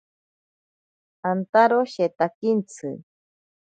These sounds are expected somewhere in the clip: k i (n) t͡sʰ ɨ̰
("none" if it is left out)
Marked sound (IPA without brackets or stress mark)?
n